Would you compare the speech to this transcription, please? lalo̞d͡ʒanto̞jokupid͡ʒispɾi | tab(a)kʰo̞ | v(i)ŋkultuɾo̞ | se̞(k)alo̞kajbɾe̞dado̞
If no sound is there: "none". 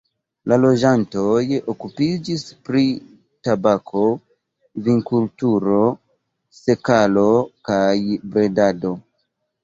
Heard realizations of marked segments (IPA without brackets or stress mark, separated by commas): a, i, k